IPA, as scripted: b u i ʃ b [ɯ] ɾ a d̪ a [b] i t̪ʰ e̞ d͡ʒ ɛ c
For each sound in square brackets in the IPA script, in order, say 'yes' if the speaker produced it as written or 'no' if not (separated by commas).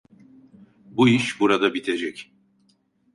no, yes